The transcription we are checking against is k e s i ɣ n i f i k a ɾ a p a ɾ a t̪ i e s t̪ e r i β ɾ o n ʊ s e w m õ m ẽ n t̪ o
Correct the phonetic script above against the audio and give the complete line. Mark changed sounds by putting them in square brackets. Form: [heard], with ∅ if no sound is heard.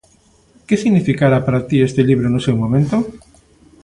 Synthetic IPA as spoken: k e s i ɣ n i f i k a ɾ a p a ɾ a t̪ i e s t̪ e [ʎ] i β ɾ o n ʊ s e w m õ m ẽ n t̪ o

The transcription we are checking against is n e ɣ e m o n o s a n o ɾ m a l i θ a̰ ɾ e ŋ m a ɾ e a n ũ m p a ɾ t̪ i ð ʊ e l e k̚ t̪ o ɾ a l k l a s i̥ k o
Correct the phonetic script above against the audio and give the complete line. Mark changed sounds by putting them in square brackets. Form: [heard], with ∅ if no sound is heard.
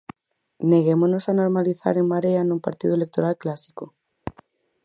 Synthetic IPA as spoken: n e ɣ e m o n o s a n o ɾ m a l i θ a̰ ɾ e ŋ m a ɾ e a n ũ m p a ɾ t̪ i ð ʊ e l e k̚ t̪ o ɾ a l k l a s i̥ k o

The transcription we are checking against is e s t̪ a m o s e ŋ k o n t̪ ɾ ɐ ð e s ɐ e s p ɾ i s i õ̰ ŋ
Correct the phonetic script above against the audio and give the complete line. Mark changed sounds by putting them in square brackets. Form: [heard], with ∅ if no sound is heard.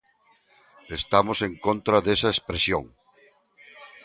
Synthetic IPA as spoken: e s t̪ a m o s e ŋ k o n t̪ ɾ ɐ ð e s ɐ e s p ɾ [e] s [j] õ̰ ŋ

